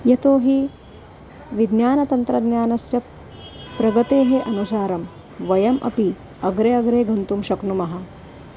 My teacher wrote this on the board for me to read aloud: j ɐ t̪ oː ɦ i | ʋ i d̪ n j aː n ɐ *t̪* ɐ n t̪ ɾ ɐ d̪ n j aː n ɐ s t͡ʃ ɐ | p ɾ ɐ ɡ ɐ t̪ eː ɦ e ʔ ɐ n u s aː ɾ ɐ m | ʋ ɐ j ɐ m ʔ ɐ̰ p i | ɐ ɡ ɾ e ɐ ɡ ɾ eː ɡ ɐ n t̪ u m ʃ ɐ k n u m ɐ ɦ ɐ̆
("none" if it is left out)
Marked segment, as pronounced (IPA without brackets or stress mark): t̪